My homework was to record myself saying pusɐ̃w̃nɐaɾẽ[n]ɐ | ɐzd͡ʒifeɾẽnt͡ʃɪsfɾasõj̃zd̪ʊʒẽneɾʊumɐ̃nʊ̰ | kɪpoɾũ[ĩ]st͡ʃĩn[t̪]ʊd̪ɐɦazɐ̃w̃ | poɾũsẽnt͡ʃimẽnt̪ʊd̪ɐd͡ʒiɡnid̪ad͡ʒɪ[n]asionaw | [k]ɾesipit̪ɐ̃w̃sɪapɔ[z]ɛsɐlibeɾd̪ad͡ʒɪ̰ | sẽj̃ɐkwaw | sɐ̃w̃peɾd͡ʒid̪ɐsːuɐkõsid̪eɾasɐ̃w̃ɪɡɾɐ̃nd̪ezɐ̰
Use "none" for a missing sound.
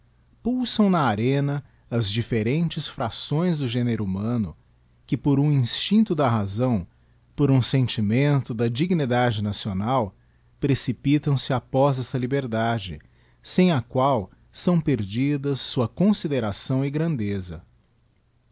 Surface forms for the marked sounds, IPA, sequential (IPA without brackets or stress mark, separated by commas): n, ĩ, t̪, n, p, z